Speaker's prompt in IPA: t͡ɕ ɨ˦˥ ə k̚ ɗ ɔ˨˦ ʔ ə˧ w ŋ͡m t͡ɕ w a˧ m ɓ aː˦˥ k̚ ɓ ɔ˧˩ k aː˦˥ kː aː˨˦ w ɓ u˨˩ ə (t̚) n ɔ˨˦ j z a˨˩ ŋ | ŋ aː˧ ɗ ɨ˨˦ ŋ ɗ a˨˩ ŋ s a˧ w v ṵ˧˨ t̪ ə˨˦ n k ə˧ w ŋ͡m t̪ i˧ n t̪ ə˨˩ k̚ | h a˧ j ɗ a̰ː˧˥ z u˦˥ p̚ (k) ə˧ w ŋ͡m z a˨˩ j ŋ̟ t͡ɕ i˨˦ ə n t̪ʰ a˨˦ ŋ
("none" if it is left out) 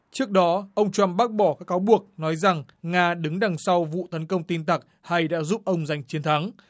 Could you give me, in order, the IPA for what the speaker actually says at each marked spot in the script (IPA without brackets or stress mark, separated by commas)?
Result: k̚, ʔ